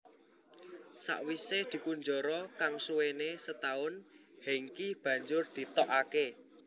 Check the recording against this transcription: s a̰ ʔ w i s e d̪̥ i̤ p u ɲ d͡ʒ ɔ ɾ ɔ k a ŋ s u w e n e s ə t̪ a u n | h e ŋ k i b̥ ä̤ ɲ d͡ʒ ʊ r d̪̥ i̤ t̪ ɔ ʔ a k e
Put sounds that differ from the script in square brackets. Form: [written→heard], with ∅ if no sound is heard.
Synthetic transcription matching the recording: s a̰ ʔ w i s e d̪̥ i̤ [p→k] u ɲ d͡ʒ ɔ ɾ ɔ k a ŋ s u w e n e s ə t̪ a [u→ʊ] n | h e ŋ k i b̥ ä̤ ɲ d͡ʒ ʊ r d̪̥ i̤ t̪ ɔ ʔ a k e